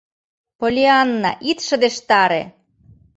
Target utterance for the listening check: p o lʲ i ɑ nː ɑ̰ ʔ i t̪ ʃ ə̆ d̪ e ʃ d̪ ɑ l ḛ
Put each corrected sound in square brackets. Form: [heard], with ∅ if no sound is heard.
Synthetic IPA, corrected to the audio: p o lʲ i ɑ nː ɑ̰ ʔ i t̪ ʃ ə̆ d̪ e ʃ [t̪] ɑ [ɾ] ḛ